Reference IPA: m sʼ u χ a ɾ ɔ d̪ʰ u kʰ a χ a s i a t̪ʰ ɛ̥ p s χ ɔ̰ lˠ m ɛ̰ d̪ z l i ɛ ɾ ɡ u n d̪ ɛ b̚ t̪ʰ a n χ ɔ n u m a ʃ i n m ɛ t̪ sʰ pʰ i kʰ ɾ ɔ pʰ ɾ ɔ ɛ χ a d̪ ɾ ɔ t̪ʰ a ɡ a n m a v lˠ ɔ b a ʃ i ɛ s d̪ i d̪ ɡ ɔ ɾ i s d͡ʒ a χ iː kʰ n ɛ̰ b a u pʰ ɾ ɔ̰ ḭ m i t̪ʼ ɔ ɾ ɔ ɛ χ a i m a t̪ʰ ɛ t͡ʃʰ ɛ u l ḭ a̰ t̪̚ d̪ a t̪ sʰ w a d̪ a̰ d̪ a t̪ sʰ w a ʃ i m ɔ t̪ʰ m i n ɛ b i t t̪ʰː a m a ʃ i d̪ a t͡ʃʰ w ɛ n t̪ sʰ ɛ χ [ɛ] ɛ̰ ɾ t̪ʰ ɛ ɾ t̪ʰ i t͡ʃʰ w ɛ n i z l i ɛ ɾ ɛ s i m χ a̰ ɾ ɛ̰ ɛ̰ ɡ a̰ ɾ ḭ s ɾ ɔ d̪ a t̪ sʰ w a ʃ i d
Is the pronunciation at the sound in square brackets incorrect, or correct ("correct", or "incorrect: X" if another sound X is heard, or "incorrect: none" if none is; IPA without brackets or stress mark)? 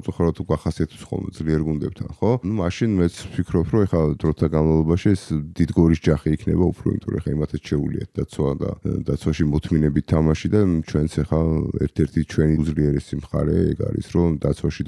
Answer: incorrect: a